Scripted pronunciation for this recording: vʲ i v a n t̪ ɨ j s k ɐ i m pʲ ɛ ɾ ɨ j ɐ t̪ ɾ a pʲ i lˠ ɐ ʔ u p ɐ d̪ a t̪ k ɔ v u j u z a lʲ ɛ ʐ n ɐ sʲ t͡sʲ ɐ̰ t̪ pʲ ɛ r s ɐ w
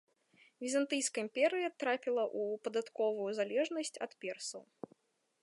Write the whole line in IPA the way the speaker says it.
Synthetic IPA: vʲ i z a n t̪ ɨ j s k ɐ i m pʲ ɛ ɾ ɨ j ɐ t̪ ɾ a pʲ i lˠ ɐ ʔ u p ɐ d̪ a t̪ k ɔ v u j u z a lʲ ɛ ʐ n ɐ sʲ t͡sʲ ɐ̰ t̪ pʲ ɛ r s ɐ w